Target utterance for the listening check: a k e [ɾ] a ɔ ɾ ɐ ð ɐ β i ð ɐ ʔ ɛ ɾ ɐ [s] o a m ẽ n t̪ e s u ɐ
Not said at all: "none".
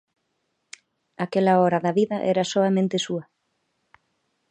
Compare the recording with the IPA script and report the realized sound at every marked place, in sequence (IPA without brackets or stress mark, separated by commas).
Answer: l, s